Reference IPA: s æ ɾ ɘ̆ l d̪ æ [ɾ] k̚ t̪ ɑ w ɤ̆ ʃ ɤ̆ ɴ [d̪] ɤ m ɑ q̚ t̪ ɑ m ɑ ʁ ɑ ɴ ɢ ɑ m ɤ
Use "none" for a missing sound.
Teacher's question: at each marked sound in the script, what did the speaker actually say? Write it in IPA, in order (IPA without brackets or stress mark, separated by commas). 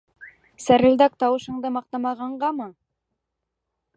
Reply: none, d̪